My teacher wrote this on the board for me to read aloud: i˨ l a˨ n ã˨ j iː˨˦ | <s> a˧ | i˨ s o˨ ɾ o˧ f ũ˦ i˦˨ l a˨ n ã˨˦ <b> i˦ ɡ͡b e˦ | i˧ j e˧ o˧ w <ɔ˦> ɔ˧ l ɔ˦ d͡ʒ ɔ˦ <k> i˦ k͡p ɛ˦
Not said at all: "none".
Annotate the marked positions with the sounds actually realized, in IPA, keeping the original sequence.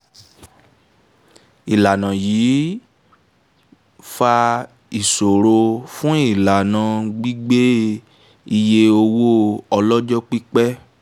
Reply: f, ɡ͡b, o˦, k͡p

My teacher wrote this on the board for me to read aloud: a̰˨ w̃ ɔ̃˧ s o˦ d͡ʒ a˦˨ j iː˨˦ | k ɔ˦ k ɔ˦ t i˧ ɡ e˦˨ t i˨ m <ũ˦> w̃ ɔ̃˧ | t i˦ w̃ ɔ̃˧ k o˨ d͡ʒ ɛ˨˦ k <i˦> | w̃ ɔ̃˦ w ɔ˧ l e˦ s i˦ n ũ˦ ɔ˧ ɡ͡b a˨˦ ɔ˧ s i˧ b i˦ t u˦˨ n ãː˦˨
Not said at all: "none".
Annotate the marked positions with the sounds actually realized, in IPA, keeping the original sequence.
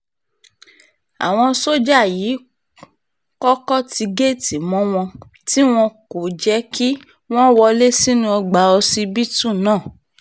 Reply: ɔ̃˦, i˦

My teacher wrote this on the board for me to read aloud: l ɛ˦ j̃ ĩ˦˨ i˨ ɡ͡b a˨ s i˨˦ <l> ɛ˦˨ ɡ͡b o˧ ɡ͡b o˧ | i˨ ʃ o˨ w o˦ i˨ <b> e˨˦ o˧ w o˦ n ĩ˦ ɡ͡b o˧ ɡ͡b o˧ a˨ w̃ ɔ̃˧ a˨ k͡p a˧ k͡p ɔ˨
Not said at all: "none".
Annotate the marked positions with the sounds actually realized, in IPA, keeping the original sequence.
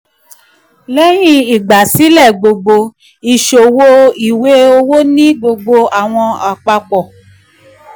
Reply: l, w

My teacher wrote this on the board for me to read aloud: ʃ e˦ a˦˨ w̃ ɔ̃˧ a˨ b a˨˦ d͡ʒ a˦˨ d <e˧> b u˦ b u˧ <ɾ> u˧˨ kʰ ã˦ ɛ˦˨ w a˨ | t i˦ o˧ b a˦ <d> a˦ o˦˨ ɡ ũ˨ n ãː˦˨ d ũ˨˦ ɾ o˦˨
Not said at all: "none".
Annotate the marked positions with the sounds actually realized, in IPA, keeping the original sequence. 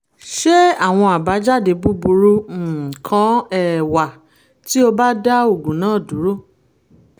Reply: e˧, ɾ, d

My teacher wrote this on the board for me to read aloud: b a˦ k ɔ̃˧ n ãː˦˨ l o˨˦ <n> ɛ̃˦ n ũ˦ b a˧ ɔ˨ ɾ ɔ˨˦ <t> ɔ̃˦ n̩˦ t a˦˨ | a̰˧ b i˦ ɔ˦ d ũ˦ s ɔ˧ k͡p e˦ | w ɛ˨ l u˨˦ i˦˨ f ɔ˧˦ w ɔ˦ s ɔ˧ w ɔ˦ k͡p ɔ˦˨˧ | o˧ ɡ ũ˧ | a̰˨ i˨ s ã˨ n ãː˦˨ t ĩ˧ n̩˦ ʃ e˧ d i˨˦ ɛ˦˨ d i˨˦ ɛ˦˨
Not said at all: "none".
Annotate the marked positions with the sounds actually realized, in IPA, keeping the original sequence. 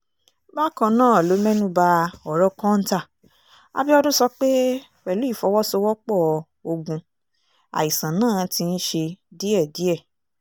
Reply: m, k

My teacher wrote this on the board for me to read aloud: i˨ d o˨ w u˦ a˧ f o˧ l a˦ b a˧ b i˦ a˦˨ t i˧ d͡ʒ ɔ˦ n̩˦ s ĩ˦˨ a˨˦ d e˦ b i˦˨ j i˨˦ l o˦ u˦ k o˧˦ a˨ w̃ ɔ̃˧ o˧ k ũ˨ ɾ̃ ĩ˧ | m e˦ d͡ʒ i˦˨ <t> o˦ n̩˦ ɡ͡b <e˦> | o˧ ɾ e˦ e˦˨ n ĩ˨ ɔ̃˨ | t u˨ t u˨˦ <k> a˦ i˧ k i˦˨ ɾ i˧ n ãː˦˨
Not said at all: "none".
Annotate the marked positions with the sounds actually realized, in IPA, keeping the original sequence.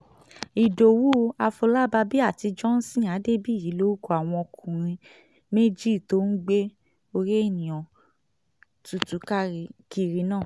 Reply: t, e˦, k

